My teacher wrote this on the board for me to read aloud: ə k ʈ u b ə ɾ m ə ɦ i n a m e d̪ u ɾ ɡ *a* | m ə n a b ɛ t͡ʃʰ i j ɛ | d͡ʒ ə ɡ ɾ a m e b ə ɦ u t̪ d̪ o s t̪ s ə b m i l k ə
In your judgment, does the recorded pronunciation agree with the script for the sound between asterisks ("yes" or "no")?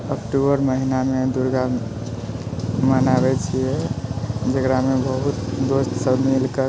yes